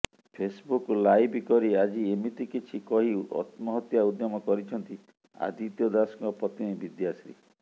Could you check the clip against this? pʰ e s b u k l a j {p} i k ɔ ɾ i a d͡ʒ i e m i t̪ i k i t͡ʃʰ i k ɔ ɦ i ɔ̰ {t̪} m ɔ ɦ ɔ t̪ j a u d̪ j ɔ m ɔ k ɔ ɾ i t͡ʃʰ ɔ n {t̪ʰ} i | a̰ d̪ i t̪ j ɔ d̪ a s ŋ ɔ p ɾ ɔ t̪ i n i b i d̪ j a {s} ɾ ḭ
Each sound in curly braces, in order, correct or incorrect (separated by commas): incorrect, correct, incorrect, correct